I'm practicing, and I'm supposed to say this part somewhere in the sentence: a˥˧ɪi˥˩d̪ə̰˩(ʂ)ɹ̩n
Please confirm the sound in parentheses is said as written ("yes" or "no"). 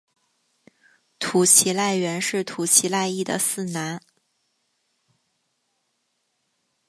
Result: no